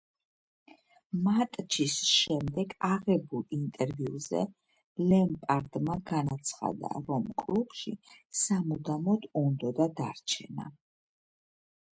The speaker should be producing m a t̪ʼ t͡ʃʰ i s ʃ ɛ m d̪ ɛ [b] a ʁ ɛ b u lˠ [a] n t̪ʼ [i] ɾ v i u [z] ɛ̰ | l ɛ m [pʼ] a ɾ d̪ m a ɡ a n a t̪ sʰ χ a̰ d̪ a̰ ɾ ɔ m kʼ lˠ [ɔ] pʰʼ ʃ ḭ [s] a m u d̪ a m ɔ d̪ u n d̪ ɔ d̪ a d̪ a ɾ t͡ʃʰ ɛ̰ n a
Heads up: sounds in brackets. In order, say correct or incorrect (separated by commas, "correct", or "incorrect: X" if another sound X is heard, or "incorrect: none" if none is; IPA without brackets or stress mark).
incorrect: ɡ, incorrect: i, incorrect: ɛ, correct, correct, incorrect: u, correct